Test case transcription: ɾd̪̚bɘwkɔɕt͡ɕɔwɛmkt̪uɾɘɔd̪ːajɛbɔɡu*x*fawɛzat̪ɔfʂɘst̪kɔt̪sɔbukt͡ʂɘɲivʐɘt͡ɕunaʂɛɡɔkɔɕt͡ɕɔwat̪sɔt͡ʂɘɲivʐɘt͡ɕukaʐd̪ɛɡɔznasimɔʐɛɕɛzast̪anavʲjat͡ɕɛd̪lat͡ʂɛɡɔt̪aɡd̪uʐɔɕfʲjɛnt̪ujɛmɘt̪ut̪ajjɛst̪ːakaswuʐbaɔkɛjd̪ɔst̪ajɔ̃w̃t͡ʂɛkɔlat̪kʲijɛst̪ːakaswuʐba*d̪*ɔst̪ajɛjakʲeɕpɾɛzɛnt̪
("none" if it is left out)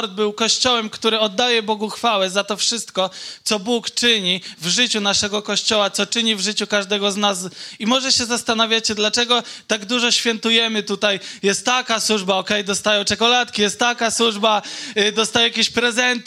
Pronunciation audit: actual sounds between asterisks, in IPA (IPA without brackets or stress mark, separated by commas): x, d̪